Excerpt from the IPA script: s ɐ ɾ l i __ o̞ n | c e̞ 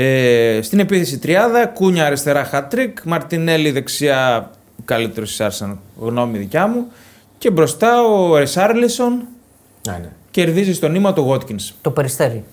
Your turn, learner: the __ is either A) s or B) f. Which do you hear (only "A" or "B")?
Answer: A